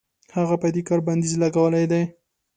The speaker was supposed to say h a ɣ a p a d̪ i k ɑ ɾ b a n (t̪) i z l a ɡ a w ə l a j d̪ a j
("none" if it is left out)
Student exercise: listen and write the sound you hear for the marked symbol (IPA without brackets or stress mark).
d̪